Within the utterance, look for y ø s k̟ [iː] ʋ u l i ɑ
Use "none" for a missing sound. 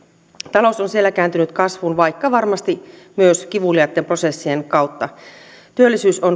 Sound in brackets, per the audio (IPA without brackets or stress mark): i